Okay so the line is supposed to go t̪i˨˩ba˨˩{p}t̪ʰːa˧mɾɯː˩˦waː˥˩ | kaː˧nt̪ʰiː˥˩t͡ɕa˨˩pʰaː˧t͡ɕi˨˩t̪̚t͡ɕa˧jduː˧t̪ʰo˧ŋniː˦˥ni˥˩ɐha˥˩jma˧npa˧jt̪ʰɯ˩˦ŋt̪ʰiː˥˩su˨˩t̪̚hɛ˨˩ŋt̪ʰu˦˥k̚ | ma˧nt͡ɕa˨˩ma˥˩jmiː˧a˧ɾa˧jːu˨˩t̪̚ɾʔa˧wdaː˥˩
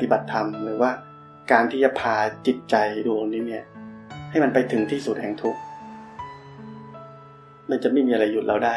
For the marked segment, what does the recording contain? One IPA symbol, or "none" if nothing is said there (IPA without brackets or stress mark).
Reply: none